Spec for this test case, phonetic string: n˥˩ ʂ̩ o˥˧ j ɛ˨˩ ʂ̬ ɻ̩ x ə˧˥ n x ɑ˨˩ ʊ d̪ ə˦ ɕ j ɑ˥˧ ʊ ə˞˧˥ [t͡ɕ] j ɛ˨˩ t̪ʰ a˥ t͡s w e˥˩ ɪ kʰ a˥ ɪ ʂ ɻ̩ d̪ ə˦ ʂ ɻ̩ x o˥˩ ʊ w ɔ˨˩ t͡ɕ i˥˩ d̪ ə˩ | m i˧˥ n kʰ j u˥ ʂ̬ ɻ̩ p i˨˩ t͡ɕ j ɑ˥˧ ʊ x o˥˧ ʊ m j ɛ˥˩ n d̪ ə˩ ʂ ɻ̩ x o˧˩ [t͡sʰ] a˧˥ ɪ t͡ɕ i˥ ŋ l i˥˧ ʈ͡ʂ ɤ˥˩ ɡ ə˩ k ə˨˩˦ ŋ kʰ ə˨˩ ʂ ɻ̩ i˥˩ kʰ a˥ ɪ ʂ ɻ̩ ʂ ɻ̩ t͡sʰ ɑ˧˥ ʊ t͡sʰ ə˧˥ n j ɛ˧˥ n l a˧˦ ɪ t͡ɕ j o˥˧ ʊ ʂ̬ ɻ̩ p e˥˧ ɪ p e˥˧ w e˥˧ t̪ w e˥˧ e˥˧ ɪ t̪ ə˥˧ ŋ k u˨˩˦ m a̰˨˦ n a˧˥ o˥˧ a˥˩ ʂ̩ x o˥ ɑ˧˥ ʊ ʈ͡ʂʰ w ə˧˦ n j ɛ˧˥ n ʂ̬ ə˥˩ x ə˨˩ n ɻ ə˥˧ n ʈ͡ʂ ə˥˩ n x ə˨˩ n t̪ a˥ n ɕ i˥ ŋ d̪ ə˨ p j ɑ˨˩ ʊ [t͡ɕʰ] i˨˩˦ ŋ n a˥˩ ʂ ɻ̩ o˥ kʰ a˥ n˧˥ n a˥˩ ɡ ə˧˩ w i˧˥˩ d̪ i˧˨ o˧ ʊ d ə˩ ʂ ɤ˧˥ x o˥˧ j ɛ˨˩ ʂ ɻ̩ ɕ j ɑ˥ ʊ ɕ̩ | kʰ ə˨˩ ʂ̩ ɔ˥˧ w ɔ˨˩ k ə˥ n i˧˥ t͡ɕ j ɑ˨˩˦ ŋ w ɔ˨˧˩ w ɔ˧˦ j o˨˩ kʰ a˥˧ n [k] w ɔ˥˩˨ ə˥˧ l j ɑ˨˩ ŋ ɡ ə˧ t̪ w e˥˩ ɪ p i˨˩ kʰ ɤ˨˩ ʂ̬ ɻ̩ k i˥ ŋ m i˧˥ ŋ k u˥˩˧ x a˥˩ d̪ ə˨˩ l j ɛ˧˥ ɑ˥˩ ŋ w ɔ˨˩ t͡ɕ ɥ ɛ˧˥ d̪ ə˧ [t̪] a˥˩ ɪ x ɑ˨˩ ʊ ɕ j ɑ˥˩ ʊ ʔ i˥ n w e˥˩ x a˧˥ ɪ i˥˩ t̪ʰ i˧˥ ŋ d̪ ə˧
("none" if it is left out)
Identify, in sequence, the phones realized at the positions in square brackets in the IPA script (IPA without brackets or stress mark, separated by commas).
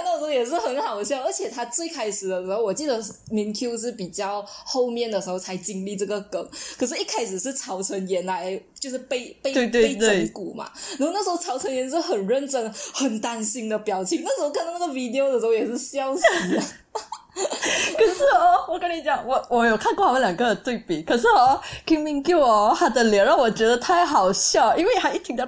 t͡ɕʰ, t͡sʰ, t͡ɕʰ, k, t̪ʰ